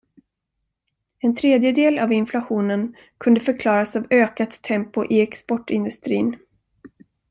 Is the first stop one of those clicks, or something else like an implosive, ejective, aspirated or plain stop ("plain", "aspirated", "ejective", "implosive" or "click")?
aspirated